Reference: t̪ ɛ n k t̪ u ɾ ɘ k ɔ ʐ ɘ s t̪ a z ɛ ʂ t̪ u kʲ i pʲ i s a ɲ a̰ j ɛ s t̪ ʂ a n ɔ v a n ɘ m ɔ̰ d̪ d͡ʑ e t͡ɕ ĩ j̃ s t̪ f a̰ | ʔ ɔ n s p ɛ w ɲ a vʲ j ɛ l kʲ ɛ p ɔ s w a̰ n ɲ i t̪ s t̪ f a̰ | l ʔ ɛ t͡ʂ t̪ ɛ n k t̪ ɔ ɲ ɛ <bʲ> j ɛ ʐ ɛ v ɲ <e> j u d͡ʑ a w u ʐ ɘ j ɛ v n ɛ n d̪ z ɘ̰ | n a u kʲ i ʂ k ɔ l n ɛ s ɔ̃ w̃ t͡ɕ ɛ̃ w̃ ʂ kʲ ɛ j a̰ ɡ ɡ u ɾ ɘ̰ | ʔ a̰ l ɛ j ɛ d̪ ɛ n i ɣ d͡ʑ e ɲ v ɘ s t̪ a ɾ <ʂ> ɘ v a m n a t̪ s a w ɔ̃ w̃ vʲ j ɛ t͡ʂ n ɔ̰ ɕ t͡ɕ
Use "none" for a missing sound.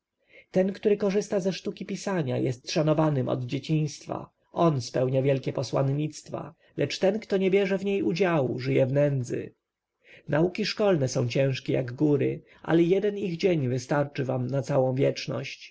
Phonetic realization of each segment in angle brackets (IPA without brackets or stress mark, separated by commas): bʲ, e, t͡ʂ